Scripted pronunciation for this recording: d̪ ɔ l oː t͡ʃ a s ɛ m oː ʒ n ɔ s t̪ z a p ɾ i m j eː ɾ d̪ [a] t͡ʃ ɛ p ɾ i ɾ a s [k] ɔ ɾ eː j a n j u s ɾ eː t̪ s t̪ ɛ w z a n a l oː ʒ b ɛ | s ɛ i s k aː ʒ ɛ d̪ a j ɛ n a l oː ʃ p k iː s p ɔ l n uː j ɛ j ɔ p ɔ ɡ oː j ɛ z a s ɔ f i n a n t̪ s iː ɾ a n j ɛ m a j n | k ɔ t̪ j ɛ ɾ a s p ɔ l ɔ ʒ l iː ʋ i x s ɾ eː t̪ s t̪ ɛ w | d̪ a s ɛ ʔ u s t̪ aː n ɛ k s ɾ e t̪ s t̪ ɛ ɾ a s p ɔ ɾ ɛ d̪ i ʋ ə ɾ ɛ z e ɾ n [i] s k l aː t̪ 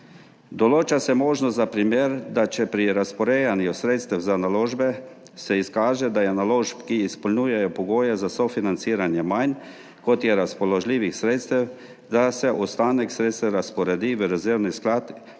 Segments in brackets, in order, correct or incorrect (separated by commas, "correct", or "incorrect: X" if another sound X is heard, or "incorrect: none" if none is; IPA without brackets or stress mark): correct, incorrect: p, correct